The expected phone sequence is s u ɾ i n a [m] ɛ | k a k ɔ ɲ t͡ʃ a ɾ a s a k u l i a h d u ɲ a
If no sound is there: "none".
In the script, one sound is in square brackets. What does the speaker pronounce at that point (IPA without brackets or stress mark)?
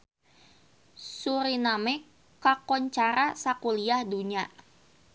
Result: m